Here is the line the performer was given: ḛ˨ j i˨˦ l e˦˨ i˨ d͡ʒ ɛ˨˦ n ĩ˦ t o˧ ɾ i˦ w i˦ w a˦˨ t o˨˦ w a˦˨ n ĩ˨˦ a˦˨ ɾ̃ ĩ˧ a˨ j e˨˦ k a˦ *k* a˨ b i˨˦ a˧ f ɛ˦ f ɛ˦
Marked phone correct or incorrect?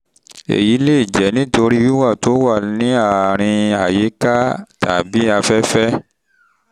incorrect